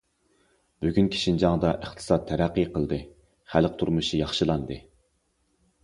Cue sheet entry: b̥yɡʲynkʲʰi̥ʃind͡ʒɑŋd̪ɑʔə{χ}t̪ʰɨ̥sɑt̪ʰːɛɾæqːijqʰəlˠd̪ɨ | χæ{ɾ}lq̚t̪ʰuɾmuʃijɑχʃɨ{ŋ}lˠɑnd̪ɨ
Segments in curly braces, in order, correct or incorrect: correct, incorrect: none, incorrect: none

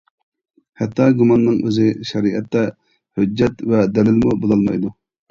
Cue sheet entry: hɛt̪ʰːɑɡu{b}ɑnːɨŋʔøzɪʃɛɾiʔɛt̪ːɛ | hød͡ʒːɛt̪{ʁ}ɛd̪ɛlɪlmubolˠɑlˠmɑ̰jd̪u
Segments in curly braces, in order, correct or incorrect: incorrect: m, incorrect: v

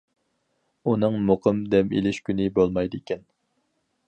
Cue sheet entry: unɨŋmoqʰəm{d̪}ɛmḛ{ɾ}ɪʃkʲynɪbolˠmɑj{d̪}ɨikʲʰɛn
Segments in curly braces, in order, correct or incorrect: correct, incorrect: l, correct

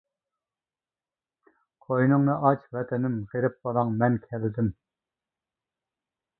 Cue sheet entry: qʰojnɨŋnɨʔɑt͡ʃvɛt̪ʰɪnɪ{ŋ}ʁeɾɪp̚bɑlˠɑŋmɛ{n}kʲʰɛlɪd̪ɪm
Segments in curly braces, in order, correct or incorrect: incorrect: m, correct

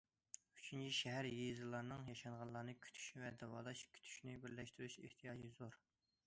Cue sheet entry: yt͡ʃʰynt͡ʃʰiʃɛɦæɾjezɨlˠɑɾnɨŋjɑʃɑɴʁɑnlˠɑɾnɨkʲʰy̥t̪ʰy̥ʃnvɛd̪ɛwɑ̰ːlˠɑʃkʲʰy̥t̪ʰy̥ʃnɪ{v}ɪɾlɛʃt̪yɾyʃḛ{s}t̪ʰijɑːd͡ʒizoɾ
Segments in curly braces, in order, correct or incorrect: incorrect: b, incorrect: h

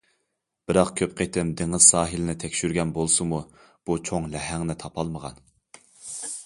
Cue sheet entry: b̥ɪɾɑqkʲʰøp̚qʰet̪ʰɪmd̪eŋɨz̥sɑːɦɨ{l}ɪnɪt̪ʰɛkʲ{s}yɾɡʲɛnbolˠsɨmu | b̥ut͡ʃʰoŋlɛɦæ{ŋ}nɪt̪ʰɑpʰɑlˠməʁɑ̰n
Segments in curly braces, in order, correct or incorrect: correct, incorrect: ʃ, correct

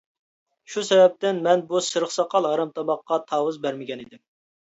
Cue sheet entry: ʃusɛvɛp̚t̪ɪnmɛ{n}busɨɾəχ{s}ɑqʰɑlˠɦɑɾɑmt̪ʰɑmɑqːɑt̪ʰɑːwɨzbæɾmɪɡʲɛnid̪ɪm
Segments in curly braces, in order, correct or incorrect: correct, correct

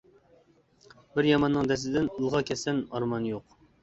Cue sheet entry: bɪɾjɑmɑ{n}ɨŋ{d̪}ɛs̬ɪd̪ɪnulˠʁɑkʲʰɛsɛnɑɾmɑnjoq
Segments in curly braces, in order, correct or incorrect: incorrect: nː, correct

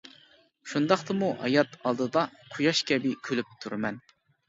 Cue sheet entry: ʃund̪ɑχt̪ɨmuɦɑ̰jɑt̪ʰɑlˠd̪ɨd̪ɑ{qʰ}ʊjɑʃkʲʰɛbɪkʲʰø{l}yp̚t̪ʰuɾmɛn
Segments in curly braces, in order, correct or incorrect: correct, correct

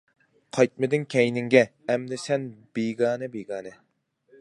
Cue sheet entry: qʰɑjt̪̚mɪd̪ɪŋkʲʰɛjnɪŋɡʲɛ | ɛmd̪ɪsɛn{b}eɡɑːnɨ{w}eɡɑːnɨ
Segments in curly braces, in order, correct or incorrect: correct, incorrect: b

